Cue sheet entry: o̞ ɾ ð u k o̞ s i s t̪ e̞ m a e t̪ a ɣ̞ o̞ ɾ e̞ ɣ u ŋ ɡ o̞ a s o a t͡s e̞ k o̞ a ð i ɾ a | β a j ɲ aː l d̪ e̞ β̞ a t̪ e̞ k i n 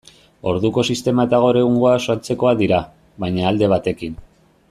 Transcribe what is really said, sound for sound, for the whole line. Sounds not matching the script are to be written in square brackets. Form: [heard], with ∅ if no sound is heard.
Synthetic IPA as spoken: o̞ ɾ ð u k o̞ s i s t̪ e̞ m a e t̪ a ɣ̞ o̞ ɾ e̞ ɣ u ŋ ɡ o̞ a s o a t͡s e̞ k o̞ a ð i ɾ a | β a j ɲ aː l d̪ e̞ β̞ a t̪ e̞ k i n